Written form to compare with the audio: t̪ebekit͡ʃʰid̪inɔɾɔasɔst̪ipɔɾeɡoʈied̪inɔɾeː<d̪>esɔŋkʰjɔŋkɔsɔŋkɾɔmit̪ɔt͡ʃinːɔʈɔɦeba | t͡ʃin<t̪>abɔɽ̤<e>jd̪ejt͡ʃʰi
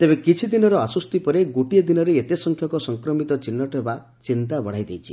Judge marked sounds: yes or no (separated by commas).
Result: no, yes, no